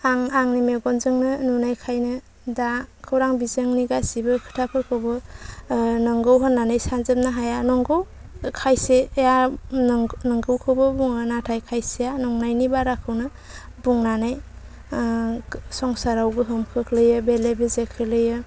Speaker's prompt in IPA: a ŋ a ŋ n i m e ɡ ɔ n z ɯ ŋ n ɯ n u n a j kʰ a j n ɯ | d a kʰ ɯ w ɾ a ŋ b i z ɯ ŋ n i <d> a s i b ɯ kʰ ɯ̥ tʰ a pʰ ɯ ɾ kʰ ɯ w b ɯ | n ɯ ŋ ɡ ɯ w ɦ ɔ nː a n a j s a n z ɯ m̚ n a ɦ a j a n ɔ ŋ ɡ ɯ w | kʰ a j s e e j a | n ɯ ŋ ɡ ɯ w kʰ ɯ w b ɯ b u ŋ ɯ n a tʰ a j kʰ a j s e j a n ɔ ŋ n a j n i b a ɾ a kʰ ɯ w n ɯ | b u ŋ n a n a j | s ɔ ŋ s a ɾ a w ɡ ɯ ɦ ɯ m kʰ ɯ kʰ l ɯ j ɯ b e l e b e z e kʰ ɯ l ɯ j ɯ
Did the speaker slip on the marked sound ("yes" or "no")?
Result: yes